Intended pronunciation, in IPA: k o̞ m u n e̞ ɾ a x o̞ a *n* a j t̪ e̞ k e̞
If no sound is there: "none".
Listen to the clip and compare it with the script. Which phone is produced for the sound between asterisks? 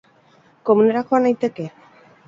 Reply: n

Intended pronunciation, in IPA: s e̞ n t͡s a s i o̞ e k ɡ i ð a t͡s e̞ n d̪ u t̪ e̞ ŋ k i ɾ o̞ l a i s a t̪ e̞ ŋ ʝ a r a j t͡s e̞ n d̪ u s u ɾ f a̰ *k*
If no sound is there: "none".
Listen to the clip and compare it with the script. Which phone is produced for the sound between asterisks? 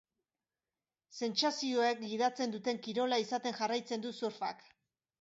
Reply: k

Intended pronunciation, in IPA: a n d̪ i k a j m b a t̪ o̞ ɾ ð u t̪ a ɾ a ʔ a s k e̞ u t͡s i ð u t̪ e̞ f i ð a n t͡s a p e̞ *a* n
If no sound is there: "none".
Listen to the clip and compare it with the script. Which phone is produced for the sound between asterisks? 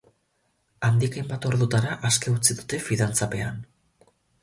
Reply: a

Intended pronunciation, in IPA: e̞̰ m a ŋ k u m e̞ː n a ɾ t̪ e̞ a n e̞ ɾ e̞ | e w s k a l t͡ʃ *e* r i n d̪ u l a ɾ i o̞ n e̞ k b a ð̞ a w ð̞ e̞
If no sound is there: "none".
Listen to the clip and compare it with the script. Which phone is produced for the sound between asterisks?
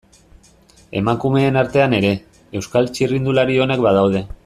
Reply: i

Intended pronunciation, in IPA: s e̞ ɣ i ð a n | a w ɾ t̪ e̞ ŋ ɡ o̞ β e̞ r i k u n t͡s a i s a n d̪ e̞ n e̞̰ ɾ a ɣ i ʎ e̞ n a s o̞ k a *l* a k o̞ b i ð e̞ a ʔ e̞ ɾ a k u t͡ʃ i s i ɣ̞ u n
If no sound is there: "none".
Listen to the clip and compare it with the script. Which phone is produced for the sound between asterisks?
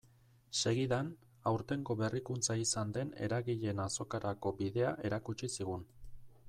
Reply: ɾ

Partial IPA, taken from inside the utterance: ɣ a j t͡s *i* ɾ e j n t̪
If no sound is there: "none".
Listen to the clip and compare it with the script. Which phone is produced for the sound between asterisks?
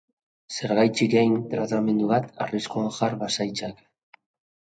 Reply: i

